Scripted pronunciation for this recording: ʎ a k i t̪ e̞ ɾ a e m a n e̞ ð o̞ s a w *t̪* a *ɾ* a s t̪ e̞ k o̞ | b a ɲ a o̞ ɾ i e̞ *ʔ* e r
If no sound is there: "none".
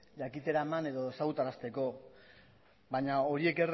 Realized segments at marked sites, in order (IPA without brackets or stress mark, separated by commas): t̪, ɾ, k